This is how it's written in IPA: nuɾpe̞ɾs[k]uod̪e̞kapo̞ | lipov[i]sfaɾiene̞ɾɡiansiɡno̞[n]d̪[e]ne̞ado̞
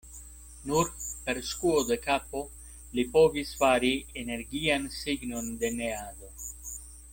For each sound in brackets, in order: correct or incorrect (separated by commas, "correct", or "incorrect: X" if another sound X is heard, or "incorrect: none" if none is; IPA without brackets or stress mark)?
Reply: correct, correct, correct, correct